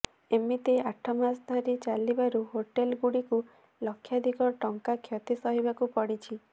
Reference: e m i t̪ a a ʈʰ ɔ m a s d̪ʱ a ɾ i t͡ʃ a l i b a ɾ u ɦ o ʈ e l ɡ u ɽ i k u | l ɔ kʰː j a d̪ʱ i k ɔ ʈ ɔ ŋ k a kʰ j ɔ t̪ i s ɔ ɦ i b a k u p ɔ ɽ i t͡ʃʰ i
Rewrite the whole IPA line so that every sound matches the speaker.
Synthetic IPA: e m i t̪ e a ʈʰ ɔ m a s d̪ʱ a ɾ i t͡ʃ a l i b a ɾ u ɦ o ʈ e l ɡ u ɽ i k u | l ɔ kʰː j a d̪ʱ i k ɔ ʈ ɔ ŋ k a kʰ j ɔ t̪ i s ɔ ɦ i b a k u p ɔ ɽ i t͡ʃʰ i